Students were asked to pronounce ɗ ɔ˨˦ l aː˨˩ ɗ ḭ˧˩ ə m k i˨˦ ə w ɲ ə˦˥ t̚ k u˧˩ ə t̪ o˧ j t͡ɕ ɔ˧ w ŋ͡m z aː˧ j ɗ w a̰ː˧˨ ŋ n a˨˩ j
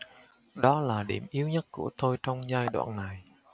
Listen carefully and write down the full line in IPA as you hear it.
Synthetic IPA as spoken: ɗ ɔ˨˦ l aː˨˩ ɗ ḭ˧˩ ə m ʔ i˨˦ ə w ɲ ə˦˥ t̚ k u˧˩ ə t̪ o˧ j t͡ɕ ɔ˧ w ŋ͡m z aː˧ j ɗ w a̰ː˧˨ n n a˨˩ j